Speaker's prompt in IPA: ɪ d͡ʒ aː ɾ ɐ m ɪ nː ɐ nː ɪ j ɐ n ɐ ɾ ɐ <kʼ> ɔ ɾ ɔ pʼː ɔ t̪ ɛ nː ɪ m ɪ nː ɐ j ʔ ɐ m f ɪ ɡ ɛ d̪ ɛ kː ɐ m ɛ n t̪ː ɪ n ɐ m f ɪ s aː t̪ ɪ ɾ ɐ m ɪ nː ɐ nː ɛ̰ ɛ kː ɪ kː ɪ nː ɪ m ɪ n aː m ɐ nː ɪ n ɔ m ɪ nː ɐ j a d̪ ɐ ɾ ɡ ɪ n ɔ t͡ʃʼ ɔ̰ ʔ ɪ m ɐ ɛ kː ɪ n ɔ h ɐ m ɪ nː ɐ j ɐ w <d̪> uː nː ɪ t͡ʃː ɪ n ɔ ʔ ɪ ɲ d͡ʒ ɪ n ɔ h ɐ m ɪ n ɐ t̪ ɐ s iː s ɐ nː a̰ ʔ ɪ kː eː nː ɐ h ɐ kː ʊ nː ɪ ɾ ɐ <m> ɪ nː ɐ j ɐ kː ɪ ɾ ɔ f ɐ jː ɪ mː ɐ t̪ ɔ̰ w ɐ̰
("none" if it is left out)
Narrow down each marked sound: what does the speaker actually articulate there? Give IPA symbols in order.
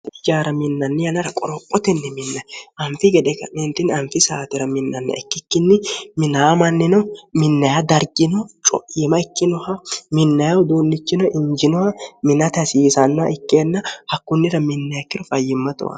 kʼ, d̪, m

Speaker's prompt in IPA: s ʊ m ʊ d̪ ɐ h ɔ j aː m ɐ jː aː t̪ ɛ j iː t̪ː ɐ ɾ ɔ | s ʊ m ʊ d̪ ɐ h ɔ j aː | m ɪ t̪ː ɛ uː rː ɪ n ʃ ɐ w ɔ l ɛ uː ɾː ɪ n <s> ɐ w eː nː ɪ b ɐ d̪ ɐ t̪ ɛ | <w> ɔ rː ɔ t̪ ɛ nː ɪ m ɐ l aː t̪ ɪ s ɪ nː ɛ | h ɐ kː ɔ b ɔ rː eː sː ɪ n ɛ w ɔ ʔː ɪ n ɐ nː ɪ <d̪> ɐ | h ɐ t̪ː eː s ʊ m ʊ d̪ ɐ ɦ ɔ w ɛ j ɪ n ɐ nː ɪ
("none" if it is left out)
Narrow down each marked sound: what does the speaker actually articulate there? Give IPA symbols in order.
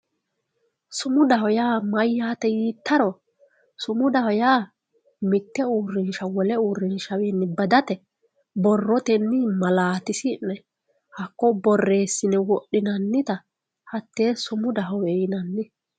ʃ, b, t̪

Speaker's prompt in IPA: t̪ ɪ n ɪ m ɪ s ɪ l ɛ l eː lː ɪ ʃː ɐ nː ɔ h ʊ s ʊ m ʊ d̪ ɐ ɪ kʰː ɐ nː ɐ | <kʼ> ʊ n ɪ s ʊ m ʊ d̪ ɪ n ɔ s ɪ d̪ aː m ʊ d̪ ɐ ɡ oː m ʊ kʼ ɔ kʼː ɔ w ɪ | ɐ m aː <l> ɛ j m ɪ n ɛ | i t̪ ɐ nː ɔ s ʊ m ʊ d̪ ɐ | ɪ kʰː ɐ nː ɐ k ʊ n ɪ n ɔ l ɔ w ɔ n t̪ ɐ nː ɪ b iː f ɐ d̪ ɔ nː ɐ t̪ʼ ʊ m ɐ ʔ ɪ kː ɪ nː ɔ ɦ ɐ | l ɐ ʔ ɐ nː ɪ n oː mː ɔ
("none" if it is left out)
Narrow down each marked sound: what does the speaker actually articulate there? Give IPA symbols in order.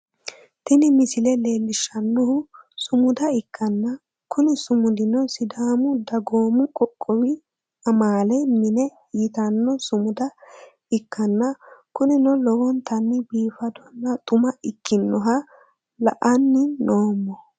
k, l

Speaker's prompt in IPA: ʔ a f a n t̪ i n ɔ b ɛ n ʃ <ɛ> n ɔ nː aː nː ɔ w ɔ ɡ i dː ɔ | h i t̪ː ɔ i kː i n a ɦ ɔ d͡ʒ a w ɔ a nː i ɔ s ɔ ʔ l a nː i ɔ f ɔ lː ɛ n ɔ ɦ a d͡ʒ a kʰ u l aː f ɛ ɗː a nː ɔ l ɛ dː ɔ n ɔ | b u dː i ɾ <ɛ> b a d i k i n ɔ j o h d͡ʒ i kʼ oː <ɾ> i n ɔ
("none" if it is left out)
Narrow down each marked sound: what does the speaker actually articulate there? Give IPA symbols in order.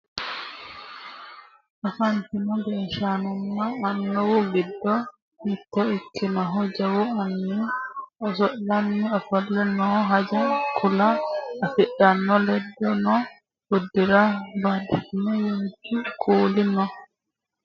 a, a, l

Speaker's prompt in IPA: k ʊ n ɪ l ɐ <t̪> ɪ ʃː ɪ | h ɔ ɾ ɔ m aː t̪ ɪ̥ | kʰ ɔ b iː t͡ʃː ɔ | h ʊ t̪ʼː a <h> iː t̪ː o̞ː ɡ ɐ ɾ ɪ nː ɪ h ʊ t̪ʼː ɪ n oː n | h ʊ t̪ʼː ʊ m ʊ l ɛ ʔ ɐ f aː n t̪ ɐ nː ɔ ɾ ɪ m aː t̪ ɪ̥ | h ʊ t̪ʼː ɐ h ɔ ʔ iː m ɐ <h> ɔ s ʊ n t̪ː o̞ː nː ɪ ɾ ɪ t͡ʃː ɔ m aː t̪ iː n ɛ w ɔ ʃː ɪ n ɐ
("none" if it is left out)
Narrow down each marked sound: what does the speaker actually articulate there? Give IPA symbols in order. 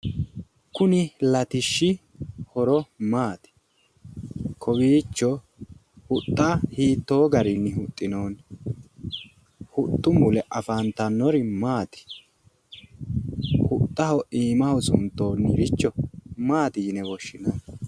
t̪, h, h

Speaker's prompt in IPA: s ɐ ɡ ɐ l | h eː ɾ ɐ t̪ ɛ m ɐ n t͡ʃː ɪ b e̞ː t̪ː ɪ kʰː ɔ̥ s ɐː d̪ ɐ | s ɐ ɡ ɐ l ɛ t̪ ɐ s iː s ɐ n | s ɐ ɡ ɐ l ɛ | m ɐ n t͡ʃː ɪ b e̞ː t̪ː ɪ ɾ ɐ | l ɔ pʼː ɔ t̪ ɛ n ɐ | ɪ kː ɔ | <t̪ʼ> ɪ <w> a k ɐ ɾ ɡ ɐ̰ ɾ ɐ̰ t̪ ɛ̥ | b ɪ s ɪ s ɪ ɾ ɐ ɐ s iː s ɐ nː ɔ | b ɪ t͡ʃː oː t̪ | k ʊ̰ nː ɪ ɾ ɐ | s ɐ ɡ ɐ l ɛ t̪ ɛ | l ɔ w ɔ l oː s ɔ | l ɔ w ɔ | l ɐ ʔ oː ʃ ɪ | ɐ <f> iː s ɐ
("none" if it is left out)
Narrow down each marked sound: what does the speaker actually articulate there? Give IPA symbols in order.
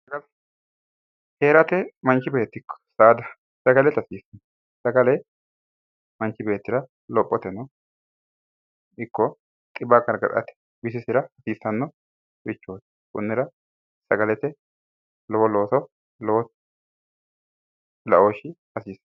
t̪ʼ, b, s

